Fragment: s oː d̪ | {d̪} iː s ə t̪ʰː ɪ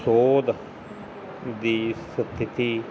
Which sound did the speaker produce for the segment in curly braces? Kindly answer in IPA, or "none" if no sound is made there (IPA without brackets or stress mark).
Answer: d̪